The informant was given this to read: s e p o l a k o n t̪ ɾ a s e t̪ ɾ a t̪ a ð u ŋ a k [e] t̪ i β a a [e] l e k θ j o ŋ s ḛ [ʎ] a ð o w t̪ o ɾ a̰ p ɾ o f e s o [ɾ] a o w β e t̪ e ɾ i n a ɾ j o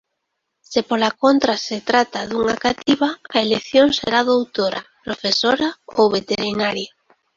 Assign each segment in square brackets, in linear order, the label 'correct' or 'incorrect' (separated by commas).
incorrect, correct, incorrect, correct